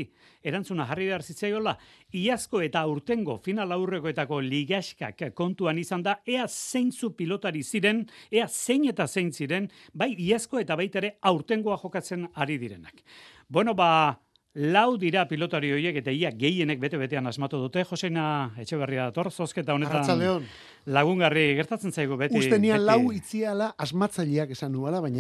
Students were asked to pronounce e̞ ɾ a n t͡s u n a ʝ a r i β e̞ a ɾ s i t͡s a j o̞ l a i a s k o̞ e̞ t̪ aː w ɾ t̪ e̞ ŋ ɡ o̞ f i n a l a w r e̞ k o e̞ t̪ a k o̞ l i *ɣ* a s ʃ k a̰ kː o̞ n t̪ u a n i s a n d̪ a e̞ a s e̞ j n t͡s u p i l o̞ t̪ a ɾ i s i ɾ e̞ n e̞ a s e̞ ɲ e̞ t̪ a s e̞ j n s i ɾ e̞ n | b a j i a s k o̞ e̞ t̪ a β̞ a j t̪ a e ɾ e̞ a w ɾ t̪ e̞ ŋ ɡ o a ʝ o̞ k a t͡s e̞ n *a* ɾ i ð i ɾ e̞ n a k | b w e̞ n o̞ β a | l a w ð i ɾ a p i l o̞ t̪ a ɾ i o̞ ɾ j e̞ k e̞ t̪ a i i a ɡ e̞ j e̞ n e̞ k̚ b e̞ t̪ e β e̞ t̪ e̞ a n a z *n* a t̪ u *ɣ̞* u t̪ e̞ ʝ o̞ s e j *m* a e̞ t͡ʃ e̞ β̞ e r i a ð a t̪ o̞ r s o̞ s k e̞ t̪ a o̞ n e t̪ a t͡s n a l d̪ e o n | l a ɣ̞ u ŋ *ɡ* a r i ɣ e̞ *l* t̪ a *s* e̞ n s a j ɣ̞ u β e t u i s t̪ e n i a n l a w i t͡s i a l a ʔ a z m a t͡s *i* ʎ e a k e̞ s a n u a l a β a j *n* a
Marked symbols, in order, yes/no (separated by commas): yes, yes, no, no, no, yes, no, no, no, no